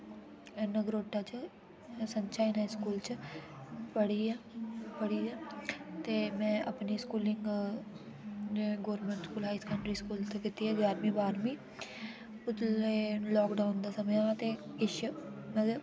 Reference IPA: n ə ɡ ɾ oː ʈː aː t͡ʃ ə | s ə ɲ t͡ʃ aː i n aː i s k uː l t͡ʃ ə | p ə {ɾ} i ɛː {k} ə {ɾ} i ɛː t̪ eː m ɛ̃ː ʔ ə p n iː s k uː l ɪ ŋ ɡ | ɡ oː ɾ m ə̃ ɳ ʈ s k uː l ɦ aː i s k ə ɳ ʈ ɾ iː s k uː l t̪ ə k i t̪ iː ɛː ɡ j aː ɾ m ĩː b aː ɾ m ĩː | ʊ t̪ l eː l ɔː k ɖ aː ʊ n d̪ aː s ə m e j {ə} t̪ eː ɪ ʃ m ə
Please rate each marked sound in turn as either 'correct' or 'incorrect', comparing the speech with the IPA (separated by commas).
incorrect, incorrect, incorrect, incorrect